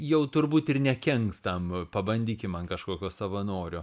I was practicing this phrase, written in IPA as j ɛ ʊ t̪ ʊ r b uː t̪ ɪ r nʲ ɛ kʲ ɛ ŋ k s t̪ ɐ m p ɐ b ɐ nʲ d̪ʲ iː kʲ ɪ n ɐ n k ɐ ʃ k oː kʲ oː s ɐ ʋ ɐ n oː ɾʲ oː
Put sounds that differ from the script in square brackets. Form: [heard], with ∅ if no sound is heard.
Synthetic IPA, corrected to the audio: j ɛ ʊ t̪ ʊ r b uː t̪ ɪ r nʲ ɛ kʲ ɛ ŋ k s t̪ ɐ m p ɐ b ɐ nʲ d̪ʲ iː kʲ ɪ [m] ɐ n k ɐ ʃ k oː kʲ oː s ɐ ʋ ɐ n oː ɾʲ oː